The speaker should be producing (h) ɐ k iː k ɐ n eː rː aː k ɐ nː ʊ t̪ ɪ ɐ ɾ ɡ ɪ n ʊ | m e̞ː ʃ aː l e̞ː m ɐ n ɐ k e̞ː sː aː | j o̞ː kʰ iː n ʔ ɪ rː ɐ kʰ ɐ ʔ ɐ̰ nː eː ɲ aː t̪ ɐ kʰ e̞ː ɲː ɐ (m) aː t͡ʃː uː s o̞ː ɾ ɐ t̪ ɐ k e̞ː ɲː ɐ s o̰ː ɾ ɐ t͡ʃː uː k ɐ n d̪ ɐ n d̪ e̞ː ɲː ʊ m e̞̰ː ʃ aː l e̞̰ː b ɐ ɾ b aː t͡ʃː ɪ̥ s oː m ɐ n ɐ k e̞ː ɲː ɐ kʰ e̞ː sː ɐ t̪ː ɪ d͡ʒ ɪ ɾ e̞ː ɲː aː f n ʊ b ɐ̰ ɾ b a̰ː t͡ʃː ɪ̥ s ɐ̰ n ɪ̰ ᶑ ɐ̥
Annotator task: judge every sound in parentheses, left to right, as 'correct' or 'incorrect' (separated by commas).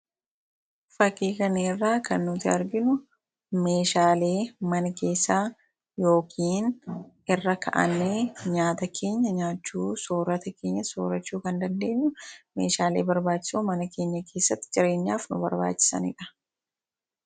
incorrect, incorrect